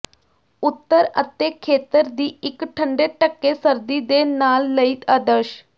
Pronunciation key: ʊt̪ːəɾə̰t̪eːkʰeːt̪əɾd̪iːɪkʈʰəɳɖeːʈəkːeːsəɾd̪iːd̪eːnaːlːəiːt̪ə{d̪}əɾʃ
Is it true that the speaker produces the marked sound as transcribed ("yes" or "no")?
yes